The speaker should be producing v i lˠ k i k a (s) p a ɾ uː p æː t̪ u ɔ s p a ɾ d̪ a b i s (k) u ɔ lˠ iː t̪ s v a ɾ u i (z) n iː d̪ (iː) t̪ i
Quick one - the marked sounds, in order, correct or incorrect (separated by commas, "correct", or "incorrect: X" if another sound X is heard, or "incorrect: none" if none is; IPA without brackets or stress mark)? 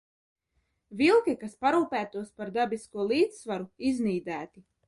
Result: correct, correct, correct, incorrect: æː